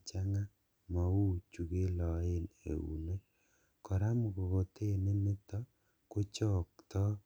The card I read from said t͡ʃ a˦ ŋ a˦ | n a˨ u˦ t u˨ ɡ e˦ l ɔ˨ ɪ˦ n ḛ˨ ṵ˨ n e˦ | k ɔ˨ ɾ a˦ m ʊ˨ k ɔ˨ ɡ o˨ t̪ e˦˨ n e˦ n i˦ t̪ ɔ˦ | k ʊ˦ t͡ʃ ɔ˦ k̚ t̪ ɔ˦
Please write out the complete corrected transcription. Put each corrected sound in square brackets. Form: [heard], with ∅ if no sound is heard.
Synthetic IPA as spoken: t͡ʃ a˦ ŋ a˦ | [m] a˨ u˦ [t͡ʃ] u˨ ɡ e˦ l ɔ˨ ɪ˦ n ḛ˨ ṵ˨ n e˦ | k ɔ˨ ɾ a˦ m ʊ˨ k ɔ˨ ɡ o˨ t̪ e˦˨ n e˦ n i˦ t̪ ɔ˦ | k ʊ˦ t͡ʃ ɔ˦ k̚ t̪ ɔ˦